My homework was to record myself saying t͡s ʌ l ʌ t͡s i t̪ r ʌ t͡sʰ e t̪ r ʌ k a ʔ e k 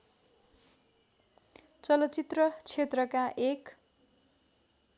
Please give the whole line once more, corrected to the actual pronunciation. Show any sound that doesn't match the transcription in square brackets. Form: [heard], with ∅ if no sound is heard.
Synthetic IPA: t͡s ʌ l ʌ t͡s i t̪ r ʌ t͡sʰ e t̪ r ʌ k a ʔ e k

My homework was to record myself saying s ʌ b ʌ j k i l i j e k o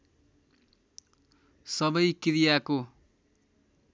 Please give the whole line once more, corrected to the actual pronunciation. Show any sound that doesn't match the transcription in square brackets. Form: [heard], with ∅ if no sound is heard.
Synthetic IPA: s ʌ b ʌ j k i [ɾ] i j [a] k o

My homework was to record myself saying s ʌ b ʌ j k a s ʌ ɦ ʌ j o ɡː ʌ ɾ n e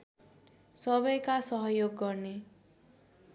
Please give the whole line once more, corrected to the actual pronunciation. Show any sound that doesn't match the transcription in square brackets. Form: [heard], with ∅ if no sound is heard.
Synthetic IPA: s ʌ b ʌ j k a s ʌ ɦ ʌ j o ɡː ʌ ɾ n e

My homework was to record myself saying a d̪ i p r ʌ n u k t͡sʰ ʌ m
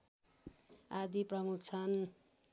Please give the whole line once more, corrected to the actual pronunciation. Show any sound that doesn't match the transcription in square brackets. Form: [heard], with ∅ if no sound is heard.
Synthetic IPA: a d̪ i p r ʌ [m] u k t͡sʰ ʌ [n]

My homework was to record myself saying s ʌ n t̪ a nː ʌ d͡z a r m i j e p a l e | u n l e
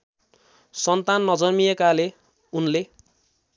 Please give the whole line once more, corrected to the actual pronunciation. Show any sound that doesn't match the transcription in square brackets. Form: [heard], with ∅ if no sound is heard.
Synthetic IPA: s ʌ n t̪ a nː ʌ d͡z [ʌ] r m i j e [k] a l e | u n l e

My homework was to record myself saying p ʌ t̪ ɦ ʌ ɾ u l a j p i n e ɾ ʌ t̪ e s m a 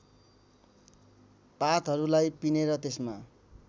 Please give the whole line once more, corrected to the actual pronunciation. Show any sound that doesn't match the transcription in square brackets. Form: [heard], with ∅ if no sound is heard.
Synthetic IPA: p [a] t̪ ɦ ʌ ɾ u l a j p i n e ɾ ʌ t̪ e s m a

